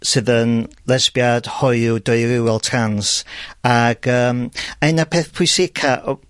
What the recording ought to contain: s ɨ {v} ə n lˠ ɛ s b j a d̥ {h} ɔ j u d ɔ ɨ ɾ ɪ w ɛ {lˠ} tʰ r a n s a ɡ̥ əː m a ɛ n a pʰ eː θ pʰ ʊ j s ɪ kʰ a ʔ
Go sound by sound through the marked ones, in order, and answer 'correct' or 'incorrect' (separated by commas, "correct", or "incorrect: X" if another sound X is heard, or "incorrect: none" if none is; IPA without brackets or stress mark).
incorrect: ð, correct, correct